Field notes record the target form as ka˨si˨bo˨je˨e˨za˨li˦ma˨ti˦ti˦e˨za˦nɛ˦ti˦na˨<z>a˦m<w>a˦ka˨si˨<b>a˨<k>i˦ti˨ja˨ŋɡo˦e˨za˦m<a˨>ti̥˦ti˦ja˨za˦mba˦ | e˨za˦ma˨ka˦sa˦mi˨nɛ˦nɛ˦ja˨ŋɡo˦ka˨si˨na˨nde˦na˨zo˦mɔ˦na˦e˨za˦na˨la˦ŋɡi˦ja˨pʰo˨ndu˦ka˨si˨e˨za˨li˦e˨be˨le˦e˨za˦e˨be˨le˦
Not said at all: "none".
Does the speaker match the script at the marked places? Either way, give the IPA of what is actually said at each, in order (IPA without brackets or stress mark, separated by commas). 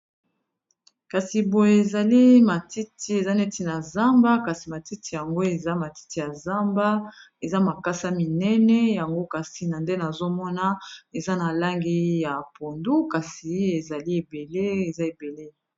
z, b, m, t, a˨